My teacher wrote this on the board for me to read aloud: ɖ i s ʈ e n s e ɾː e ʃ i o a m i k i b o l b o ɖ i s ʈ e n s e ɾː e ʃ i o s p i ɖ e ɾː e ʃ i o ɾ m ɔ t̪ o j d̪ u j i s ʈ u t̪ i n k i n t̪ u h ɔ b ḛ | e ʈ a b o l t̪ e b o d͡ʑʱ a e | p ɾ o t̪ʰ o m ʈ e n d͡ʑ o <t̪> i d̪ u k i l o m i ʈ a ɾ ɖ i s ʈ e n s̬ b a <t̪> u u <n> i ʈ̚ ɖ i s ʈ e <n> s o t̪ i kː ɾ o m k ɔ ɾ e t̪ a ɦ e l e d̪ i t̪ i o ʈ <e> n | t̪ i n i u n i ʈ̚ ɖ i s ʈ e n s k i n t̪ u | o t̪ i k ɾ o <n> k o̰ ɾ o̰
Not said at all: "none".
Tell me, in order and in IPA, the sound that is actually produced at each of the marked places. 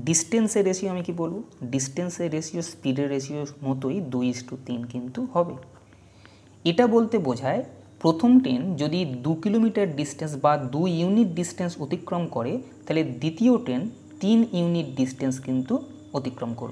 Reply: d̪, d̪, n, n, e, m

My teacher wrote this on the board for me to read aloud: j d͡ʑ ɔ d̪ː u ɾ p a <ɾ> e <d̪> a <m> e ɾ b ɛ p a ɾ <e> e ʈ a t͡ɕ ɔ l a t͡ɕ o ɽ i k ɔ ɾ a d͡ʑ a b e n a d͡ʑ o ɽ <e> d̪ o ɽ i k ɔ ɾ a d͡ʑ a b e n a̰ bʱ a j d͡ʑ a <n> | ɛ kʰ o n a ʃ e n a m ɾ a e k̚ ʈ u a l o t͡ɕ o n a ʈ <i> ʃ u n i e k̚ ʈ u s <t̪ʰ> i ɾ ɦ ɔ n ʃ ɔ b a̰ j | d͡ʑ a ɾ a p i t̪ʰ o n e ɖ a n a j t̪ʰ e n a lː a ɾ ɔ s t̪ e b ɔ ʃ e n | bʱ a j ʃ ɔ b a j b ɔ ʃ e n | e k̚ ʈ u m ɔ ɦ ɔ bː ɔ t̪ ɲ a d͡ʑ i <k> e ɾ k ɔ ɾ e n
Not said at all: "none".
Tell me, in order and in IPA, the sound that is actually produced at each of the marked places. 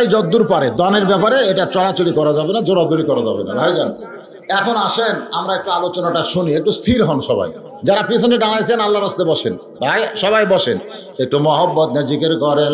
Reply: ɾ, d̪, n, e, a, n, a, t̪ʰ, k

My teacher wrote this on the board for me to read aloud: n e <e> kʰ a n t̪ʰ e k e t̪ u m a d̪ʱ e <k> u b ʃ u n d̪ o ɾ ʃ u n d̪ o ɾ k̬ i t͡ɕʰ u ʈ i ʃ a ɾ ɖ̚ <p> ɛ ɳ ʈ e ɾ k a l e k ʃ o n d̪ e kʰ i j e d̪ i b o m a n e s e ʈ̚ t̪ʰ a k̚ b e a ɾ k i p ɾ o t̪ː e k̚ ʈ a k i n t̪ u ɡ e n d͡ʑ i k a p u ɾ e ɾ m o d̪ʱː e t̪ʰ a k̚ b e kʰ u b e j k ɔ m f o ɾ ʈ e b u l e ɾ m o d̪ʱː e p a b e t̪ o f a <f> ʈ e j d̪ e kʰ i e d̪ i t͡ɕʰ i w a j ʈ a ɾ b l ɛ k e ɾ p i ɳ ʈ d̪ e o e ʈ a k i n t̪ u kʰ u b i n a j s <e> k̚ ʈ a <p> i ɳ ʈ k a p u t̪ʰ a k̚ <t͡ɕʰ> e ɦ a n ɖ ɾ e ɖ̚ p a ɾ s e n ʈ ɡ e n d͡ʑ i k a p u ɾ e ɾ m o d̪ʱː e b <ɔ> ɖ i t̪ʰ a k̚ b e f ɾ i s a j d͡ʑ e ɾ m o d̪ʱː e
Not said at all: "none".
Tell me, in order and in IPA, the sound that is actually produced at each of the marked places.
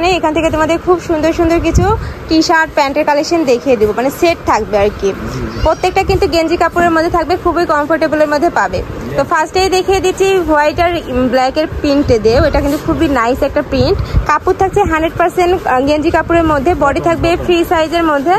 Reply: e, kʰ, p, s, ɛ, p, t͡ɕʰ, ɔ

